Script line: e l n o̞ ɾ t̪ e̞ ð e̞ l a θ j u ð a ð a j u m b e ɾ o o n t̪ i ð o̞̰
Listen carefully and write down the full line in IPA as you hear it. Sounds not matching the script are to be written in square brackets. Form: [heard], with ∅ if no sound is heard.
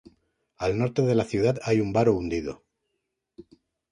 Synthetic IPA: [a] l n o̞ ɾ t̪ e̞ ð e̞ l a θ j u ð a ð a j u m b [a] ɾ o [u] n [d̪] i ð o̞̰